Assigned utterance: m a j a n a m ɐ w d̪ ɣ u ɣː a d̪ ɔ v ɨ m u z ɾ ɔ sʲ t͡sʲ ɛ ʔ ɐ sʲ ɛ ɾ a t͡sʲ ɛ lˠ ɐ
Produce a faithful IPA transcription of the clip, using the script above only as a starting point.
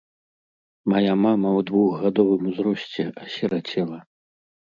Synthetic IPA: m a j a m a m ɐ w d̪ v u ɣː a d̪ ɔ v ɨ m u z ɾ ɔ sʲ t͡sʲ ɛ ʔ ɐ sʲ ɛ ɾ a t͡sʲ ɛ lˠ ɐ